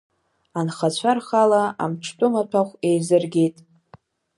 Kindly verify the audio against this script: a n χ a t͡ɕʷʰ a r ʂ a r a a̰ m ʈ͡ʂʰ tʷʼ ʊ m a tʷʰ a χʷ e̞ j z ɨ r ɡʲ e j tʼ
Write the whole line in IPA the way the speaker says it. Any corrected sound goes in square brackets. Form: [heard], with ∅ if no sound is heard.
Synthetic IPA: a n χ a t͡ɕʷʰ a r [χ] a [l] a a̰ m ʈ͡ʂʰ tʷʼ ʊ m a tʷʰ a χʷ e̞ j z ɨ r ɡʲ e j tʼ

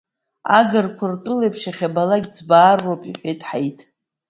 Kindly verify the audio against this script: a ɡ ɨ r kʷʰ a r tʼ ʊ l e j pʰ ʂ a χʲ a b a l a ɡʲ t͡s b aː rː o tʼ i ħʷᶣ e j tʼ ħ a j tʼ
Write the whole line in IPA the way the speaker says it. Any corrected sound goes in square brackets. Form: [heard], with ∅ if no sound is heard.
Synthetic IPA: a ɡ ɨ r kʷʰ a r tʼ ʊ l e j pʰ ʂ a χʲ a b a l a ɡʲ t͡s b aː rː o [pʼ] i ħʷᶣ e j tʼ ħ a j tʼ

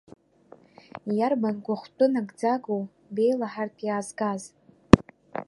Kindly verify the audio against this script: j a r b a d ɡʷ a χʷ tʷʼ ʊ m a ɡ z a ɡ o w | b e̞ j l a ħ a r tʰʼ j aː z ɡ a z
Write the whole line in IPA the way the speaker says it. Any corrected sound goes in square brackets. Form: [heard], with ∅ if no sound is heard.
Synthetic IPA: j a r b a [n] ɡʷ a χʷ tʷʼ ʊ [n] a ɡ [d͡z] a ɡ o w | b e̞ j l a ħ a r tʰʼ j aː z ɡ a z

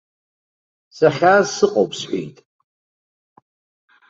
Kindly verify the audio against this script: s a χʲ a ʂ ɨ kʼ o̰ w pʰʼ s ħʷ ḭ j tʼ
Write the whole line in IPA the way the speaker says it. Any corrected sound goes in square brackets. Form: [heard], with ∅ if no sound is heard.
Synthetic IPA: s a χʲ a [s] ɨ [qʼ] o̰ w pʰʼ s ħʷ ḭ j tʼ

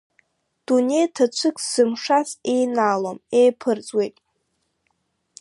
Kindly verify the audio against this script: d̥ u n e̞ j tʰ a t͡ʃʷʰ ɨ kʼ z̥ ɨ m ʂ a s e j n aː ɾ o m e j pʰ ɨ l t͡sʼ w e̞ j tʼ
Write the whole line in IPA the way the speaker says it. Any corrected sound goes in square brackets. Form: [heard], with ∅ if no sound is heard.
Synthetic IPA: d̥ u n e̞ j tʰ a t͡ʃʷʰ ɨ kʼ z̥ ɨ m ʂ a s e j n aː [l] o m e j pʰ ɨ [r] t͡sʼ w e̞ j tʼ

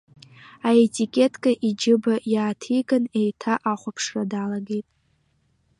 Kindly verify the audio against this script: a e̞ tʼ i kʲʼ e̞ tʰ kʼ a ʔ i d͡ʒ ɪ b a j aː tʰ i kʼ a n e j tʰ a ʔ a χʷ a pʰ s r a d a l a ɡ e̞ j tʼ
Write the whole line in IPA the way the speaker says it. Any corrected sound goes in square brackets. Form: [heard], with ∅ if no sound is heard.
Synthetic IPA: a e̞ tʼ i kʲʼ e̞ tʰ kʼ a ʔ i d͡ʒ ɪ b a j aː tʰ i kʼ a n e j tʰ a ʔ a χʷ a pʰ [ʂ] r a d a l a ɡ e̞ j tʼ

